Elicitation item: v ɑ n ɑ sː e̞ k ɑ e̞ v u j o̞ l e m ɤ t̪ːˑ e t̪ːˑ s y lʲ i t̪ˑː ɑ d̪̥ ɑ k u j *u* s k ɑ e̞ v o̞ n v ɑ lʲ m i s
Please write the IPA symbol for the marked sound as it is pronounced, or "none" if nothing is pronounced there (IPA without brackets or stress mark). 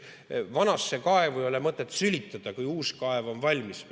uː